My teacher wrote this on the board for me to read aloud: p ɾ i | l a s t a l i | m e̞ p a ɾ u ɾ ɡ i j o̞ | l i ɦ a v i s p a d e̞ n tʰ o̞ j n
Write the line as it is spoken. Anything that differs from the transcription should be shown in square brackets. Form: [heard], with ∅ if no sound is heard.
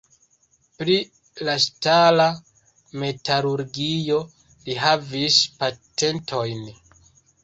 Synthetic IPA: p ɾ i | l a s t a l [a] | m e̞ [t] a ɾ u ɾ ɡ i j o̞ | l i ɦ a v i s p a [t] e̞ n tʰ o̞ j n